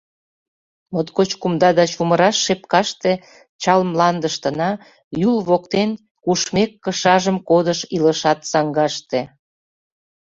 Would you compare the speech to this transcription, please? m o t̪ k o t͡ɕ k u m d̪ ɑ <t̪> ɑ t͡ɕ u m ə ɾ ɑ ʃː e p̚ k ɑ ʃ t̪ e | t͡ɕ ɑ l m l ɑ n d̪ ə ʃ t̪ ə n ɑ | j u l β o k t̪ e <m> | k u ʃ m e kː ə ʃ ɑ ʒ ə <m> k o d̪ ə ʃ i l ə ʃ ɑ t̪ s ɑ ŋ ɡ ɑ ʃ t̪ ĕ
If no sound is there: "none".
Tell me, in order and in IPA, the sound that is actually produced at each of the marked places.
d̪, n, m

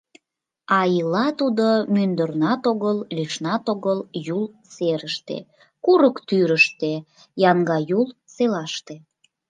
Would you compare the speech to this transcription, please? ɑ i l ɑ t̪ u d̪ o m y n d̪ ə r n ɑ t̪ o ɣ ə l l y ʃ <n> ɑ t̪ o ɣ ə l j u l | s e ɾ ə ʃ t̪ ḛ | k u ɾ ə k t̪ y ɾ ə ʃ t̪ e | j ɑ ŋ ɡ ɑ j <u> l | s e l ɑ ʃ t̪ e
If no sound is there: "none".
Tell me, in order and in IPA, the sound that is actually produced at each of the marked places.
n, u

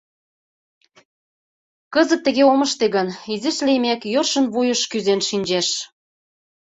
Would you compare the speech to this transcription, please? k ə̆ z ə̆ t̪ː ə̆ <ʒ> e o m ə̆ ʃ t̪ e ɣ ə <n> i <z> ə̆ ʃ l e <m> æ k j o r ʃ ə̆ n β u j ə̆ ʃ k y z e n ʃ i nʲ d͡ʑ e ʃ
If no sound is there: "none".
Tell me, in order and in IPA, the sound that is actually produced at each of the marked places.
ɣ, n, z, m

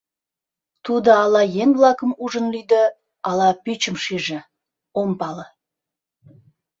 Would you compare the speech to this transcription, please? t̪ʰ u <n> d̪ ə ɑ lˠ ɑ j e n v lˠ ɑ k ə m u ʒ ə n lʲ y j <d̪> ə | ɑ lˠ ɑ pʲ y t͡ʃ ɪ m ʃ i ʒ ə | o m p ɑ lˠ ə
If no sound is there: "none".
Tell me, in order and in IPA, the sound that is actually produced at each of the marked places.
none, d̪

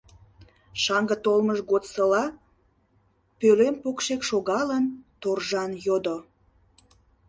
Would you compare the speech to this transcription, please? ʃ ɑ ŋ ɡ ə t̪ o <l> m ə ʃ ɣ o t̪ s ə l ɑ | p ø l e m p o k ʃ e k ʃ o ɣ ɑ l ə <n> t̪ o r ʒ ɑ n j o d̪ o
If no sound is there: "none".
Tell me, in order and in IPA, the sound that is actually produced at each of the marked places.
l, n

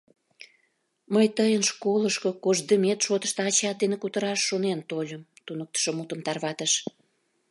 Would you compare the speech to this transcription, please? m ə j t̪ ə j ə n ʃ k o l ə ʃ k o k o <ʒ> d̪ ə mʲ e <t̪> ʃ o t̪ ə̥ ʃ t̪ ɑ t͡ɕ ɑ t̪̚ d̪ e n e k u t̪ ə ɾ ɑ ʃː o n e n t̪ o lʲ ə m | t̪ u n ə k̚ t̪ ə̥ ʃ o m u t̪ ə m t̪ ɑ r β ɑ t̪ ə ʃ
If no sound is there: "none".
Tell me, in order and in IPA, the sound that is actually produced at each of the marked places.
ʒ, t̪

